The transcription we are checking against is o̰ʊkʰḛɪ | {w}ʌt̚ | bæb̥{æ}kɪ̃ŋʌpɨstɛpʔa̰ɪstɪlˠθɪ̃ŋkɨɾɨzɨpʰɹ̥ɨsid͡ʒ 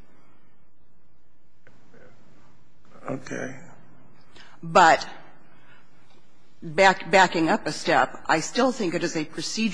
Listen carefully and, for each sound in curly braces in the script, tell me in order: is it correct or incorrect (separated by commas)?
incorrect, correct